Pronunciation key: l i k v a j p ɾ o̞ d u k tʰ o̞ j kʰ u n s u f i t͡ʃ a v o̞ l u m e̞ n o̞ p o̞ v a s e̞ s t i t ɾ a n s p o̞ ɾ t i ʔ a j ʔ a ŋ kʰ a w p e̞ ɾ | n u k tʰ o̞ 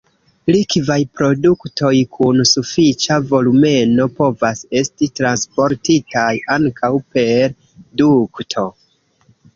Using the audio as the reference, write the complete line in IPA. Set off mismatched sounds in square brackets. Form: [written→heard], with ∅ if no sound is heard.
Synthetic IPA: l i k v a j p ɾ o̞ d u k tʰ o̞ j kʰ u n s u f i t͡ʃ a v o̞ l u m e̞ n o̞ p o̞ v a s e̞ s t i t ɾ a n s p o̞ ɾ t i [ʔ→t] a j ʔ a ŋ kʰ a w p e̞ ɾ | [n→d] u k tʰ o̞